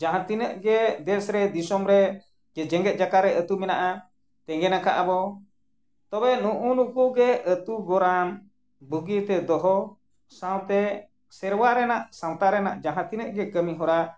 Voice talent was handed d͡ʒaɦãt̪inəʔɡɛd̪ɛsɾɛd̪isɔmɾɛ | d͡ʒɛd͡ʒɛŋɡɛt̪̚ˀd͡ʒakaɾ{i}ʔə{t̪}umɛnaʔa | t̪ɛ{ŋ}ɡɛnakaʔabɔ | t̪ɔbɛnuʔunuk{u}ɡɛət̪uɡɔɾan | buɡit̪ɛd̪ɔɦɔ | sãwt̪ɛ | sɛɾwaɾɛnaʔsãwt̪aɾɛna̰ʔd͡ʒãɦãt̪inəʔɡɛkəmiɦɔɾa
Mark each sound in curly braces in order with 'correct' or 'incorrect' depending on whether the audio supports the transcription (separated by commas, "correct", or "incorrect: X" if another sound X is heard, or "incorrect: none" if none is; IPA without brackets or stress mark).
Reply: incorrect: ɛ, correct, correct, correct